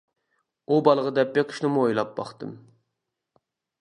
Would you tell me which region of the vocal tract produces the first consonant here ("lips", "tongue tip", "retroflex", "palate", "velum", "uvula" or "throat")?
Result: lips